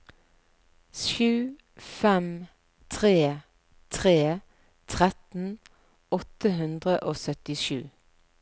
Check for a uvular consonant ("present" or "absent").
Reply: present